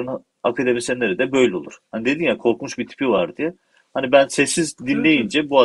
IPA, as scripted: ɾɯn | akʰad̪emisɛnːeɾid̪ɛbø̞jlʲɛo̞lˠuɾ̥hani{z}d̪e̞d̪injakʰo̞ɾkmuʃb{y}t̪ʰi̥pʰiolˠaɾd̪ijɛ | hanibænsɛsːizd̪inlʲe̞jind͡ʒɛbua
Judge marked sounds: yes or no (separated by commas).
no, no